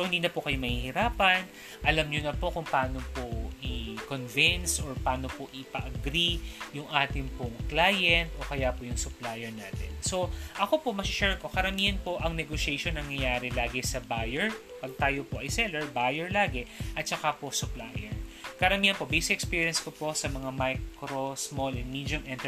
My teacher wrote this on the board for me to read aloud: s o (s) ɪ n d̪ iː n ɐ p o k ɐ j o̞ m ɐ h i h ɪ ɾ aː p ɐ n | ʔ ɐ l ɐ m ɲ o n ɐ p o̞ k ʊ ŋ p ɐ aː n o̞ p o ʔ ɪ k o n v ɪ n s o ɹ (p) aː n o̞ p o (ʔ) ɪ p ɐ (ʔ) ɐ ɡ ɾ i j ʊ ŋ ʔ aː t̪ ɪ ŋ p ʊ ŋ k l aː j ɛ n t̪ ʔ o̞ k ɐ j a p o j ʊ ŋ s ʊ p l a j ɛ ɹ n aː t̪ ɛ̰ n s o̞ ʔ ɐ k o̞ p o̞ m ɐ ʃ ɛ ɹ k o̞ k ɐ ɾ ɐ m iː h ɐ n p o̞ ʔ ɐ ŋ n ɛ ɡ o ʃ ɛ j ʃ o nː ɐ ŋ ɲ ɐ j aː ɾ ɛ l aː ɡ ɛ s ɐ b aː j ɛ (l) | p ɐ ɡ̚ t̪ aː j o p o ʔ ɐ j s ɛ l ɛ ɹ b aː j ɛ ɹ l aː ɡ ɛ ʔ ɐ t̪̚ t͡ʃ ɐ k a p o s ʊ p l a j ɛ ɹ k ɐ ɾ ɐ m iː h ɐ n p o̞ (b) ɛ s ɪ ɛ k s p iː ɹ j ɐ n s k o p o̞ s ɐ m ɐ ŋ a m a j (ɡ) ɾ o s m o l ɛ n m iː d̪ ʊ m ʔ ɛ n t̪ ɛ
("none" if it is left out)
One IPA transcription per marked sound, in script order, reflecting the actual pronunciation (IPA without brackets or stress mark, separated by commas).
h, p, ʔ, ʔ, ɹ, b, k